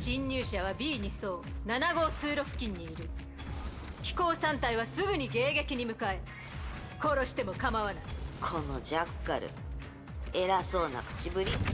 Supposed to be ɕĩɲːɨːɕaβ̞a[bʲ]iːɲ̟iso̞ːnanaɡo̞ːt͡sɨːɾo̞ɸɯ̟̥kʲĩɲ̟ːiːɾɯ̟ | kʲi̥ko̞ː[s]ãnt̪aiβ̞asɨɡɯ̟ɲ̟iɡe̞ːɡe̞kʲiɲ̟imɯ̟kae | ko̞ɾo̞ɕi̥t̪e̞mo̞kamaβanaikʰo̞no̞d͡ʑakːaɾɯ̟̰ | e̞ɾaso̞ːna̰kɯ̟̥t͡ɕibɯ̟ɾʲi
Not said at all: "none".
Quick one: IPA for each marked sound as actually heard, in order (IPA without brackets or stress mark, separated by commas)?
bʲ, s